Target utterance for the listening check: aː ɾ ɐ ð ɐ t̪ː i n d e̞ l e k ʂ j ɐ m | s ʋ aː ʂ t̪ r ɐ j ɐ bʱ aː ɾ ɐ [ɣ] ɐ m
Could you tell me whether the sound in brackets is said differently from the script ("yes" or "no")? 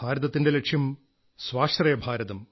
yes